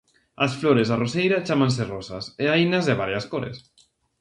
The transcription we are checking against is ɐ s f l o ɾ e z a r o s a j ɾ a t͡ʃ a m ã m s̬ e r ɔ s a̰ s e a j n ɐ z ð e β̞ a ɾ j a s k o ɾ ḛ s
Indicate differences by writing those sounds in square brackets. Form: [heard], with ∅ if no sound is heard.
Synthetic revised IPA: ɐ s f l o ɾ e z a r o s [e] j ɾ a t͡ʃ a m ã [n] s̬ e r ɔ s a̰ s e a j n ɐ z ð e β̞ a ɾ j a s k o ɾ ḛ s

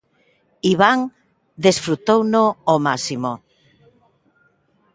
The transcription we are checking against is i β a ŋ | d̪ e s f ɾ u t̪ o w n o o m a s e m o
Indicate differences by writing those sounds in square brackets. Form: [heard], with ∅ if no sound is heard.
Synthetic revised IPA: i β a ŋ | d̪ e s f ɾ u t̪ o w n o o m a s [i] m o

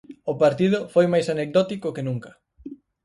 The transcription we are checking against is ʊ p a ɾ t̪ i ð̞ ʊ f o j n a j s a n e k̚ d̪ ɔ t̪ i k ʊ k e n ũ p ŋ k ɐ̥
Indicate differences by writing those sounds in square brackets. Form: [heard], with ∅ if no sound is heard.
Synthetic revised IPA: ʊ p a ɾ t̪ i ð̞ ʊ f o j [m] a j s a n e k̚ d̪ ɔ t̪ i k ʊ k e n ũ [∅] ŋ k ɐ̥

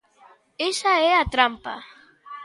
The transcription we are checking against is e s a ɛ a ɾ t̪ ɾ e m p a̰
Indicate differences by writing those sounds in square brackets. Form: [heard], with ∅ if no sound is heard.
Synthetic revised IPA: e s a [e] a [∅] t̪ ɾ [a] m p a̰

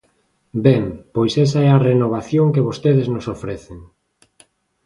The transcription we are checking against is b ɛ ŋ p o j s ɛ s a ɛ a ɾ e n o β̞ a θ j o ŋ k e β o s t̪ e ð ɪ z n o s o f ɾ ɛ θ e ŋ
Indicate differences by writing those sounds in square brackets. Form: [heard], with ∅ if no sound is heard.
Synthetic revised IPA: b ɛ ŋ p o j s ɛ s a ɛ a [r] e n o β̞ a θ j o ŋ k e β o s t̪ e ð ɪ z n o s o f ɾ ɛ θ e ŋ

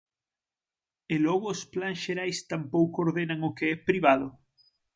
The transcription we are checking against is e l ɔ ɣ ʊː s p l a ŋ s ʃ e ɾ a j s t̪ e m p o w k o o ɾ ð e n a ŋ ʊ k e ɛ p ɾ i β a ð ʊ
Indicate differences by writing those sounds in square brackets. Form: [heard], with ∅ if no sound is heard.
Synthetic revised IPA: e l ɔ ɣ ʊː s p l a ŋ s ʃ e ɾ a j s t̪ [a] m p o w k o o ɾ ð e n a ŋ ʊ k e ɛ p ɾ i β a ð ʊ

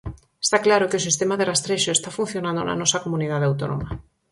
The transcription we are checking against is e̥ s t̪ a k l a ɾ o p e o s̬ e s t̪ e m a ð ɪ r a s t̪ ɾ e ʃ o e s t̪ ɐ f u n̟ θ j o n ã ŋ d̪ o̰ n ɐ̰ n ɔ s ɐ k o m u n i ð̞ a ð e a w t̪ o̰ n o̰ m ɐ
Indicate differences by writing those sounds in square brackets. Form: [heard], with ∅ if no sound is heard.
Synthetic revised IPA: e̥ s t̪ a k l a ɾ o [k] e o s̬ [i] s t̪ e m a ð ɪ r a s t̪ ɾ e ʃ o e s t̪ [a] f u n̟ θ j o n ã [n] d̪ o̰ n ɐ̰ n ɔ s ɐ k o m u n i ð̞ a ð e a w t̪ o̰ n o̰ m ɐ

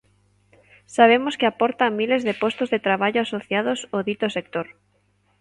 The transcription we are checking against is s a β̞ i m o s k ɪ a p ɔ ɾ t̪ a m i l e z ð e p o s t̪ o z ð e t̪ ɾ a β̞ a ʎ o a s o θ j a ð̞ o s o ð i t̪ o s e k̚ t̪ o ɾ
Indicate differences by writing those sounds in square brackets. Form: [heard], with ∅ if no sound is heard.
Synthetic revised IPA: s a β̞ [e] m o s k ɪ a p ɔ ɾ t̪ a m i l e z ð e p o s t̪ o z ð e t̪ ɾ a β̞ a ʎ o a s o θ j a ð̞ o s o ð i t̪ o s e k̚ t̪ o ɾ

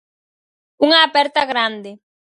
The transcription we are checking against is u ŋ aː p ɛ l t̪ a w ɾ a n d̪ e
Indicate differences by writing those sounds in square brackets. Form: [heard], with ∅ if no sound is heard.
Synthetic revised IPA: u ŋ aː p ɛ [ɾ] t̪ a [ɣ] ɾ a n d̪ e

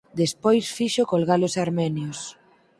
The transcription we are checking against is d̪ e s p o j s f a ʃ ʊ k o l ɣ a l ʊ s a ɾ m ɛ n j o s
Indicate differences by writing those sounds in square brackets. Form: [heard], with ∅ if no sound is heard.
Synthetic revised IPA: d̪ e s p o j s f [i] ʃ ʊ k o l ɣ a l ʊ s a ɾ m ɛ n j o s

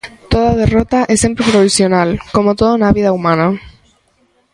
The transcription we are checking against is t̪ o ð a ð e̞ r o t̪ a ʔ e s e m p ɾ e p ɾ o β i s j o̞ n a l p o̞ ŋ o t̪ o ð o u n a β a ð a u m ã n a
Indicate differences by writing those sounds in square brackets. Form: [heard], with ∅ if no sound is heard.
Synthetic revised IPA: t̪ o ð a ð e̞ r o t̪ a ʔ e s e m p ɾ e p ɾ o β i s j o̞ n a l [k] o̞ [m] o t̪ o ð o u n a β [i] ð a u m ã n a

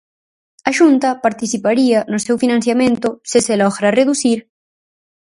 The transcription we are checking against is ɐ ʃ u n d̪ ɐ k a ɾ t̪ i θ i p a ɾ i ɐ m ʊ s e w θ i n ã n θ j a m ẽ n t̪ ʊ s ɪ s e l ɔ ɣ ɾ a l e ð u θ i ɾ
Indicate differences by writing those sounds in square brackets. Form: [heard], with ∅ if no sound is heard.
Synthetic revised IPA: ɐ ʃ u n [t̪] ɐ [p] a ɾ t̪ i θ i p a ɾ i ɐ [n] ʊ s e w [f] i n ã n θ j a m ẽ n t̪ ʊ s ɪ s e l ɔ ɣ ɾ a [r] e ð u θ i ɾ

